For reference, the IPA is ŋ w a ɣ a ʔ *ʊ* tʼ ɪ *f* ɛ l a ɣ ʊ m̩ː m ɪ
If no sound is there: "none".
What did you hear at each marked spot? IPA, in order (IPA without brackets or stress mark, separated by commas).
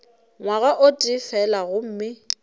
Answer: ʊ, f